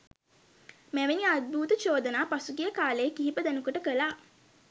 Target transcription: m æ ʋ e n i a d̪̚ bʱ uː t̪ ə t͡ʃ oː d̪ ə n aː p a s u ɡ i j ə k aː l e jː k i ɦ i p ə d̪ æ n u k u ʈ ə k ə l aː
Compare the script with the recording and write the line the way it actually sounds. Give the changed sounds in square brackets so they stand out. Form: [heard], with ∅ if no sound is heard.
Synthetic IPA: m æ ʋ e n i a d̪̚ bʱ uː t̪ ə t͡ʃ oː d̪ ə n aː p a s u ɡ i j ə k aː l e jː k i ɦ i p ə d̪ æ n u k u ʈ ə k ə l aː